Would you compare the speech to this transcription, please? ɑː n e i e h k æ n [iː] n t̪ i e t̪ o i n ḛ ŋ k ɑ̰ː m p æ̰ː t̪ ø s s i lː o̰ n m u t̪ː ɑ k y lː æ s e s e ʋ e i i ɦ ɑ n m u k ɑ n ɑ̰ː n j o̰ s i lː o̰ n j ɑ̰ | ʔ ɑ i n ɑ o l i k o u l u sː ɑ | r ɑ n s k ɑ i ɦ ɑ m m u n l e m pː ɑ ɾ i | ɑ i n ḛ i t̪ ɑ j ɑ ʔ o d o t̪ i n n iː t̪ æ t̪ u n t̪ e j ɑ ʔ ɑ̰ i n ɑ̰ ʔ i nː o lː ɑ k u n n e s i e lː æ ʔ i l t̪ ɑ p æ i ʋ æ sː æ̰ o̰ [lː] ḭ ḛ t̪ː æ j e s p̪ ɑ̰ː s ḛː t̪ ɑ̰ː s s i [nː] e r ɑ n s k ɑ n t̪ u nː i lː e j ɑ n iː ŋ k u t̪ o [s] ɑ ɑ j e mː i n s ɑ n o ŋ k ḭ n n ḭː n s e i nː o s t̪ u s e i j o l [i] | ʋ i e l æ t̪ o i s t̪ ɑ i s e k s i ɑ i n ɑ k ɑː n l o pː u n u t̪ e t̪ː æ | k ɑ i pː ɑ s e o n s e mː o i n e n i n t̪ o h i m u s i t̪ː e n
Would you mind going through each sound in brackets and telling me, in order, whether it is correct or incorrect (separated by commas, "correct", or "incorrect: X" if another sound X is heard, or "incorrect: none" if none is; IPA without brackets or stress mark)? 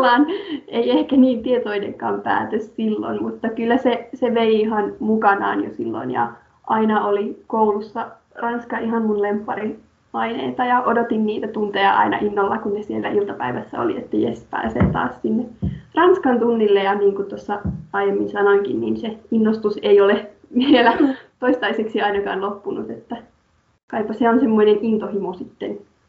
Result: correct, incorrect: l, correct, incorrect: sː, incorrect: e